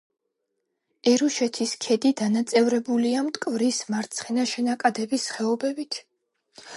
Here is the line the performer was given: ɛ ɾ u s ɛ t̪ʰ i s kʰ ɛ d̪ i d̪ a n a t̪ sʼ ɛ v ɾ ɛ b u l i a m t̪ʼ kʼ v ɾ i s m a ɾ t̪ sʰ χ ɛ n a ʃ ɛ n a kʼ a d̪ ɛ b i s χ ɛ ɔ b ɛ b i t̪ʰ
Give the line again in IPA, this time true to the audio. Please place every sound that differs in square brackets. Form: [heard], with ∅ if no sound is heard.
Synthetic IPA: ɛ ɾ u [ʃ] ɛ t̪ʰ i s kʰ ɛ d̪ i d̪ a n a t̪ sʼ ɛ v ɾ ɛ b u l i a m t̪ʼ kʼ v ɾ i s m a ɾ t̪ sʰ χ ɛ n a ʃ ɛ n a kʼ a d̪ ɛ b i s χ ɛ ɔ b ɛ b i t̪ʰ

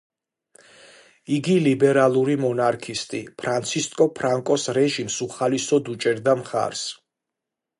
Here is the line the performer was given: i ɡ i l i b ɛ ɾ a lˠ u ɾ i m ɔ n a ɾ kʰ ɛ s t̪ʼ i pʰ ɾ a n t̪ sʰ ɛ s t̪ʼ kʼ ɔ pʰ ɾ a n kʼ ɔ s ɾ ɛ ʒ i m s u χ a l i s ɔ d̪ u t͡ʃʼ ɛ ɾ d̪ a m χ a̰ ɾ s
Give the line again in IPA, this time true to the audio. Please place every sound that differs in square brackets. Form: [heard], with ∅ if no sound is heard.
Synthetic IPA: i ɡ i l i b ɛ ɾ a lˠ u ɾ i m ɔ n a ɾ kʰ [i] s t̪ʼ i pʰ ɾ a n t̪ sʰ [i] s t̪ʼ kʼ ɔ pʰ ɾ a [ŋ] kʼ ɔ s ɾ ɛ ʒ i m s u χ a l i s ɔ d̪ u t͡ʃʼ ɛ ɾ d̪ a m χ a̰ ɾ s

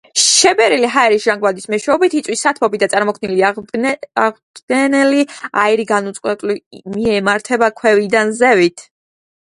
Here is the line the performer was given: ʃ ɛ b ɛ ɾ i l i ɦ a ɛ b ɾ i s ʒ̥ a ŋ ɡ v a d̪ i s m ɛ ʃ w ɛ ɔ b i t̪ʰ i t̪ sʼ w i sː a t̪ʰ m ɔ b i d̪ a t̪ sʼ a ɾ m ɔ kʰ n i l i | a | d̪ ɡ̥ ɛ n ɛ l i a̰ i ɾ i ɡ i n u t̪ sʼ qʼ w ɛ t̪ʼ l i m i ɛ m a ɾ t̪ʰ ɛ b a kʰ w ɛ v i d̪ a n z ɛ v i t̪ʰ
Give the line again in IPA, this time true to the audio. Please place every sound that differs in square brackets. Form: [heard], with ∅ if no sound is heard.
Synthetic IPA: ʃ ɛ b ɛ ɾ i l i ɦ a ɛ [∅] ɾ i s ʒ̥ a ŋ ɡ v a d̪ i s m ɛ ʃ w ɛ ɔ b i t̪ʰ i t̪ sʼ w i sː a t̪ʰ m ɔ b i d̪ a t̪ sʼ a ɾ m ɔ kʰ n i l i | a | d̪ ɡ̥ ɛ n ɛ l i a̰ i ɾ i ɡ [a] n u t̪ sʼ qʼ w ɛ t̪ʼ l i m i ɛ m a ɾ t̪ʰ ɛ b a kʰ w ɛ v i d̪ a n z ɛ v i t̪ʰ

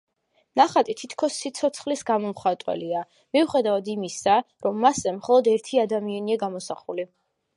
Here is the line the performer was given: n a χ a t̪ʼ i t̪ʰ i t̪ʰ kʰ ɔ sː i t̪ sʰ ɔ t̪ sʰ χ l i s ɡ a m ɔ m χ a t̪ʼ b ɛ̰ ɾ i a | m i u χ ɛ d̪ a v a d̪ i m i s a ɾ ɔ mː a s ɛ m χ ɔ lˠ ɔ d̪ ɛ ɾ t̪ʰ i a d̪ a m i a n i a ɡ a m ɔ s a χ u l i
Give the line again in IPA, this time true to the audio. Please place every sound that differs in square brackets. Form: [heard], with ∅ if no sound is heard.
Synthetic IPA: n a χ a t̪ʼ i t̪ʰ i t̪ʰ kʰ ɔ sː i t̪ sʰ ɔ t̪ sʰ χ l i s ɡ a m ɔ m χ a t̪ʼ [w] ɛ̰ [l] i a | m i u χ ɛ d̪ a v a d̪ i m i s a ɾ ɔ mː a s ɛ m χ ɔ lˠ ɔ d̪ ɛ ɾ t̪ʰ i a d̪ a m i a n i a ɡ a m ɔ s a χ u l i

